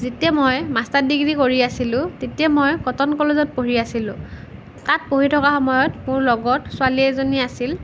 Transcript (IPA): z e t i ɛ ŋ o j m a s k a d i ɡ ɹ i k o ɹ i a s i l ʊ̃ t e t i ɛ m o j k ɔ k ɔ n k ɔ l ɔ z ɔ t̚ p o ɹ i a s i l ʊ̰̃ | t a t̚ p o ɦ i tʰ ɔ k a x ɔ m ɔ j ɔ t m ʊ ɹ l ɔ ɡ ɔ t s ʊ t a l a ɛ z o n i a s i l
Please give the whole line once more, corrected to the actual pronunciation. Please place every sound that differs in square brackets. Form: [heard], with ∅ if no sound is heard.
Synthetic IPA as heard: z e t i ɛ [m] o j m a s [t] a d i ɡ ɹ i k o ɹ i a s i l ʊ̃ t e t i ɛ m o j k ɔ [t] ɔ n k ɔ l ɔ z ɔ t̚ p o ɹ i a s i l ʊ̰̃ | t a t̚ p o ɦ i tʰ ɔ k a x ɔ m ɔ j ɔ t m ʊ ɹ l ɔ ɡ ɔ t s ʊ [∅] a l [i] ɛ z o n i a s i l

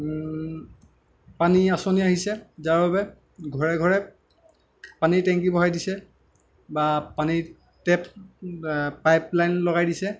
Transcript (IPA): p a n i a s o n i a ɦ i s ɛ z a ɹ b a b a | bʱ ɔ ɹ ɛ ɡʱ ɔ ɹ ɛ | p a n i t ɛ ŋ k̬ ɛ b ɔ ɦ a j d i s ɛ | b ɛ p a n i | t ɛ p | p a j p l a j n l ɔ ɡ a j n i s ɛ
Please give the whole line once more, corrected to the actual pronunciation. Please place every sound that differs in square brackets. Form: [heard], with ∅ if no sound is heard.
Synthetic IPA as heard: p a n i a s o n i a ɦ i s ɛ z a ɹ b a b [ɛ] | [ɡʱ] ɔ ɹ ɛ ɡʱ ɔ ɹ ɛ | p a n i t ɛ ŋ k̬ [i] b ɔ ɦ a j d i s ɛ | b [a] p a n i | t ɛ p | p a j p l a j n l ɔ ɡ a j [d] i s ɛ

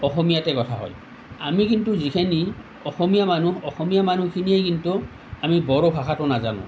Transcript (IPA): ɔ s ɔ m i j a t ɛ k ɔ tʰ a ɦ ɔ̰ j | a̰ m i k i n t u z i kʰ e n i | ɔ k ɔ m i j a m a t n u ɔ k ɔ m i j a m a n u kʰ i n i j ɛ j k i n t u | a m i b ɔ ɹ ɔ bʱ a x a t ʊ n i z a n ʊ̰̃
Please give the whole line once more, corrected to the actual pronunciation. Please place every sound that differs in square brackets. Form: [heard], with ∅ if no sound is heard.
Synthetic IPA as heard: ɔ [x] ɔ m i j a t ɛ k ɔ tʰ a ɦ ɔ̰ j | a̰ m i k i n t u z i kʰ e n i | ɔ [x] ɔ m i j a m a [∅] n u ɔ [x] ɔ m i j a m a n u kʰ i n i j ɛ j k i n t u | a m i b ɔ ɹ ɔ bʱ a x a t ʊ n [a] z a n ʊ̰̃

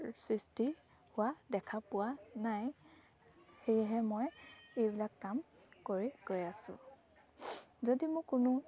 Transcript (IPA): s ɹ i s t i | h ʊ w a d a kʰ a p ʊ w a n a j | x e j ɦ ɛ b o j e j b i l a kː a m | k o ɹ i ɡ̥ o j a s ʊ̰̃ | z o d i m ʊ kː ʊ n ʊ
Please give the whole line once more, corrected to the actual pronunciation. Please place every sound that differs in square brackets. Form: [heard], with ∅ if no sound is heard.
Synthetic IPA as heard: s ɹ i s t i | h ʊ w a d [ɛ] kʰ a p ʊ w a n a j | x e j ɦ ɛ [m] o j e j b i l a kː a m | k o ɹ i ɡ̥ o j a s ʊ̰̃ | z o d i m ʊ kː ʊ n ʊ

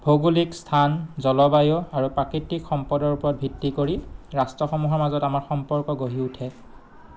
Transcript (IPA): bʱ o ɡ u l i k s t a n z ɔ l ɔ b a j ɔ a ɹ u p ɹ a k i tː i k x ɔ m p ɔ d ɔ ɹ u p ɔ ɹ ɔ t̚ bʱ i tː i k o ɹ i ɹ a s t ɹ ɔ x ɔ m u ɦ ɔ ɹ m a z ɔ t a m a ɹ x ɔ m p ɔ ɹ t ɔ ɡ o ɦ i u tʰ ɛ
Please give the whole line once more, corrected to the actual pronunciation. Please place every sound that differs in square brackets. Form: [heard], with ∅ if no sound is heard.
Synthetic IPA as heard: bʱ o ɡ u l i k s [tʰ] a n z ɔ l ɔ b a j ɔ a ɹ u p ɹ a k i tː i k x ɔ m p ɔ d ɔ ɹ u p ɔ ɹ ɔ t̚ bʱ i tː i k o ɹ i ɹ a s t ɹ ɔ x ɔ m u ɦ ɔ ɹ m a z ɔ t a m a ɹ x ɔ m p ɔ ɹ [k] ɔ ɡ o ɦ i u tʰ ɛ

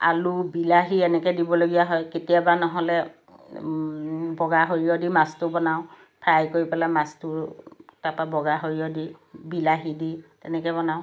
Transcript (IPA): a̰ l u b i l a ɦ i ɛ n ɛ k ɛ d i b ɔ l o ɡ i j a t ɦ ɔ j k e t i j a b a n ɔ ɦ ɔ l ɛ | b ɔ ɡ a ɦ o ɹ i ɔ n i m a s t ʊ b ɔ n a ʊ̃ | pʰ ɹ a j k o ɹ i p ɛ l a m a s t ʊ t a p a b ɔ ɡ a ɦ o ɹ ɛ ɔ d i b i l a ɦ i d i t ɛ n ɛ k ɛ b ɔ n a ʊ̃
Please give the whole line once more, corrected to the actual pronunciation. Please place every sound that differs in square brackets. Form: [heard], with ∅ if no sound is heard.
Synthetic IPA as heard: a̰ l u b i l a ɦ i ɛ n ɛ k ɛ d i b ɔ l o ɡ i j a [∅] ɦ ɔ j k e t i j a b a n ɔ ɦ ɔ l ɛ | b ɔ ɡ a ɦ o ɹ i ɔ [d] i m a s t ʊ b ɔ n a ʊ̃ | pʰ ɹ a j k o ɹ i p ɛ l a m a s t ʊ t a p a b ɔ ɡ a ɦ o ɹ [i] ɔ d i b i l a ɦ i d i t ɛ n ɛ k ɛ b ɔ n a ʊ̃

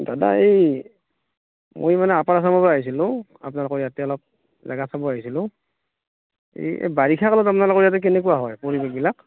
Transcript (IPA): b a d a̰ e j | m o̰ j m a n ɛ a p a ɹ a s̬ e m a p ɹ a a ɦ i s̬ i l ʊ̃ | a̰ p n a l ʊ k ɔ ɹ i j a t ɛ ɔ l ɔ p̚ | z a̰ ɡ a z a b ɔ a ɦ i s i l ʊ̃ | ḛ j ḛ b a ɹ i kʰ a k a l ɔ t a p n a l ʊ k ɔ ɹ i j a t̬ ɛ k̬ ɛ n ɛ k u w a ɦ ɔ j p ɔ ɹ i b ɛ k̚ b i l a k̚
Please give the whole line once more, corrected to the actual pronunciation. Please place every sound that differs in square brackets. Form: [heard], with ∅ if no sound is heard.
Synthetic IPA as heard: [d] a d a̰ e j | m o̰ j m a n ɛ a p a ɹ a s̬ [a] m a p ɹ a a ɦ i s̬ i l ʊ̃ | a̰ p n a l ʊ k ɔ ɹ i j a t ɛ ɔ l ɔ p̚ | z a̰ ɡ a [s] a b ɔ a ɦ i s i l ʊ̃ | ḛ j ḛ b a ɹ i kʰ a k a l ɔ t a p n a l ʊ k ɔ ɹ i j a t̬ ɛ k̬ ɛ n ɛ k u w a ɦ ɔ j p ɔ ɹ i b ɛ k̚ b i l a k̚

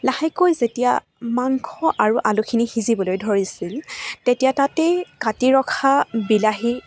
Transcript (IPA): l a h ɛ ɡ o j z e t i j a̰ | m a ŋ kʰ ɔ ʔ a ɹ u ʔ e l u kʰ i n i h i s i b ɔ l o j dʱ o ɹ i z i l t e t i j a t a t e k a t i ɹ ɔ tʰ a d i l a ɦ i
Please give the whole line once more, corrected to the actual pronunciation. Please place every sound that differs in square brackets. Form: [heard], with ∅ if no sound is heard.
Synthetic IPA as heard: l a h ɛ [k] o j z e t i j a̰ | m a ŋ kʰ ɔ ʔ a ɹ u ʔ [a] l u kʰ i n i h i [z] i b ɔ l o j dʱ o ɹ i [s] i l t e t i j a t a t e k a t i ɹ ɔ [kʰ] a [b] i l a ɦ i

